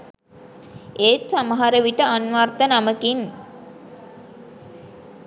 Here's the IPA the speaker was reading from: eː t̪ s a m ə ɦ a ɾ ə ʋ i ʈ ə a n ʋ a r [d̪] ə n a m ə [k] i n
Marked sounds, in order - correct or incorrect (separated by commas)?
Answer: incorrect, correct